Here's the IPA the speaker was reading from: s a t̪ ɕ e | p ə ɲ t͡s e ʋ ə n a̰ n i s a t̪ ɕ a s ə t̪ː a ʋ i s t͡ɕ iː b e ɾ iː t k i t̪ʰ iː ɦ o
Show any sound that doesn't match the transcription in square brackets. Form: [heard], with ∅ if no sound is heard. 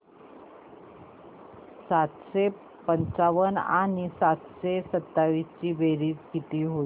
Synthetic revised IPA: s a t̪ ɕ e | p ə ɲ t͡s [a] ʋ ə n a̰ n i s a t̪ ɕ [e] s ə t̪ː a ʋ i s t͡ɕ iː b e ɾ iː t k i [t̪] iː ɦ o